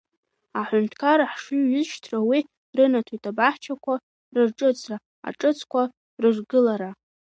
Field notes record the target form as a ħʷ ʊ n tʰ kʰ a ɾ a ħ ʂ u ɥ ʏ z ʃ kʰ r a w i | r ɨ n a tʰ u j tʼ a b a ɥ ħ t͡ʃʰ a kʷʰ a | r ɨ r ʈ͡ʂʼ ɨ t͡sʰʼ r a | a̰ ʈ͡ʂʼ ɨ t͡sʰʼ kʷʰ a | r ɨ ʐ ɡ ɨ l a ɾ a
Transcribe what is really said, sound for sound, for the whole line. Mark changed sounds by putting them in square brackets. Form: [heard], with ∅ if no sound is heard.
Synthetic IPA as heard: a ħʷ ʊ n tʰ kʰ a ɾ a ħ ʂ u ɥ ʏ z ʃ [tʰ] r a w i | r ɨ n a tʰ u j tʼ a b a [∅] ħ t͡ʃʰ a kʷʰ a | r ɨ r ʈ͡ʂʼ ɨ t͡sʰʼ r a | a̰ ʈ͡ʂʼ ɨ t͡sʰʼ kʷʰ a | r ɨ ʐ ɡ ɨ l a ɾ a